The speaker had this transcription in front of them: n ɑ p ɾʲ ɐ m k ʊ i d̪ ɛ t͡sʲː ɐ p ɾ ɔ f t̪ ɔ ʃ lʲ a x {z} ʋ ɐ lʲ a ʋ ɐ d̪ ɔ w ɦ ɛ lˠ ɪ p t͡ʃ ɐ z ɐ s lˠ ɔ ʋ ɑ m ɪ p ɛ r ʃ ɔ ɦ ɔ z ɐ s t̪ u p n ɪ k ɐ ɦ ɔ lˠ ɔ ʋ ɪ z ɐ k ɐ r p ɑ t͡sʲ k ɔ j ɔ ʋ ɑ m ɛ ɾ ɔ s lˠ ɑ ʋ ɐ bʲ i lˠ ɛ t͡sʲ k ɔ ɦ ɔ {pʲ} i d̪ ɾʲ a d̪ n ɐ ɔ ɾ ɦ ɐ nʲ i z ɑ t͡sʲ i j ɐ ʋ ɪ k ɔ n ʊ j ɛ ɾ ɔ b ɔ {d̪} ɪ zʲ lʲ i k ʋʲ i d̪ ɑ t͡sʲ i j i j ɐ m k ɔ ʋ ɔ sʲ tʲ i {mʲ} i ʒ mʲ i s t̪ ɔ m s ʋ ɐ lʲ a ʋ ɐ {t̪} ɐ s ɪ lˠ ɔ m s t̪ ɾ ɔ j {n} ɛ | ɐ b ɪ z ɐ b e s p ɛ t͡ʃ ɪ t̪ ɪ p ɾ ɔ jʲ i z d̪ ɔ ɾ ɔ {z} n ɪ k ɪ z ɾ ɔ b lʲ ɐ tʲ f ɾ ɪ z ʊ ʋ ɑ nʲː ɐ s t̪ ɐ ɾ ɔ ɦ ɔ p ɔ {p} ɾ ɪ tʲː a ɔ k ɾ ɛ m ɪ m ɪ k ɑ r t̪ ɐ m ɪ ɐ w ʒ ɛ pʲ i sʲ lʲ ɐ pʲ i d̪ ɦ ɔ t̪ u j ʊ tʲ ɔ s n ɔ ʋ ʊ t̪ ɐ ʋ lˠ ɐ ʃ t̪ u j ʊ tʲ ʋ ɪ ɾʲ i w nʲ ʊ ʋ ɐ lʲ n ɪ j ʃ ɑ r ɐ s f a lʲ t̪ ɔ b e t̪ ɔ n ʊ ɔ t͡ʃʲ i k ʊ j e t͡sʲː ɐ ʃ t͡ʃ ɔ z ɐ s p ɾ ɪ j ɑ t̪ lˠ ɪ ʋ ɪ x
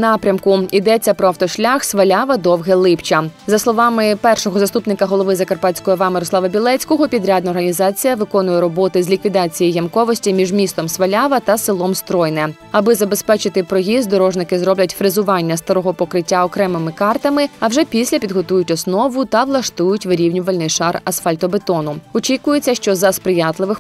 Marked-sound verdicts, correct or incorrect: incorrect, correct, incorrect, correct, correct, correct, incorrect, incorrect

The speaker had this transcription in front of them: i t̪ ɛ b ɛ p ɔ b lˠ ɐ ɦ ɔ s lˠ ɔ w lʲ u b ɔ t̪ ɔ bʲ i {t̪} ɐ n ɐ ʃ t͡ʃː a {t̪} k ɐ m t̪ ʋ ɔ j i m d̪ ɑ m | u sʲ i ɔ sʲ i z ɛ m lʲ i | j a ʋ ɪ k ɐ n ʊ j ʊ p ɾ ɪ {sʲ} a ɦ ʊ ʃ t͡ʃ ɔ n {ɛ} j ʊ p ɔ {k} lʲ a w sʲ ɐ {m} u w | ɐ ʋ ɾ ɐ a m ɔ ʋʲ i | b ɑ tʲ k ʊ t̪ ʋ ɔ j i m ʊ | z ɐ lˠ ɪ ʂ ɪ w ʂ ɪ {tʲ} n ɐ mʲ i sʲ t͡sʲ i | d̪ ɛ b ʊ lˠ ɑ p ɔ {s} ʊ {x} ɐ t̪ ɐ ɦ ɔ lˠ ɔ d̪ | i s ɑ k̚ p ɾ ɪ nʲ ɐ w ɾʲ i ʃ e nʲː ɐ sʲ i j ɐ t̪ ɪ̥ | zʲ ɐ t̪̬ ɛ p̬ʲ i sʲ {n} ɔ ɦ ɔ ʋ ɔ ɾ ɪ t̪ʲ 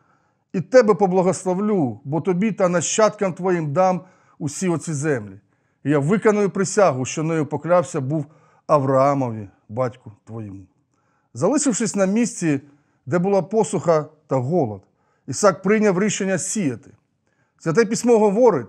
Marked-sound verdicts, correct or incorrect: correct, correct, correct, correct, correct, incorrect, incorrect, correct, correct, incorrect

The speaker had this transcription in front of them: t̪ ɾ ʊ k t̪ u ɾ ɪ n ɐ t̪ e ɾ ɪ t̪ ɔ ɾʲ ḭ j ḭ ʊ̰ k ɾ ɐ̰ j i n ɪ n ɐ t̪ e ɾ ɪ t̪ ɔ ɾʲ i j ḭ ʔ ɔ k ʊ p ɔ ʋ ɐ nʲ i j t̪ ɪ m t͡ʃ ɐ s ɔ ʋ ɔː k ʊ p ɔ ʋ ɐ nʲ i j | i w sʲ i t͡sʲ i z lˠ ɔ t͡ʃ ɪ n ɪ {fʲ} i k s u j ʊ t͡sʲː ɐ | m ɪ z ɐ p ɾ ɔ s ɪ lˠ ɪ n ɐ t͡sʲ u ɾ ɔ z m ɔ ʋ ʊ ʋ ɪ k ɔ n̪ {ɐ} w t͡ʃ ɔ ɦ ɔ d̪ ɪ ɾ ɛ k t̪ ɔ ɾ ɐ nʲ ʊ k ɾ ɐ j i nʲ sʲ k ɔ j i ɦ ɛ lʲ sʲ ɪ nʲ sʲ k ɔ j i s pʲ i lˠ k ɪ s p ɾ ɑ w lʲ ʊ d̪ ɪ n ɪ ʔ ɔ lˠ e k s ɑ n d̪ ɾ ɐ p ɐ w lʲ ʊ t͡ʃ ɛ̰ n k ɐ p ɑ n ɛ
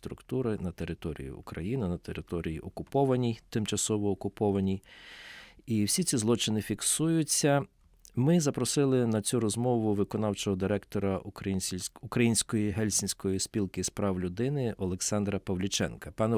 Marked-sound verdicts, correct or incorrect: correct, incorrect

